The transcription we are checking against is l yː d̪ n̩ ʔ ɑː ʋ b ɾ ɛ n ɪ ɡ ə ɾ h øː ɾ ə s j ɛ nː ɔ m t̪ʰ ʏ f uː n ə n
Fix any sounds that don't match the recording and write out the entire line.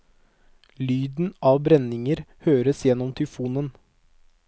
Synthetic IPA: l yː d̪ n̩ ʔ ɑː ʋ b ɾ ɛ n ɪ ŋ ə ɾ h øː ɾ ə s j ɛ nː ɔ m t̪ʰ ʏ f uː n ə n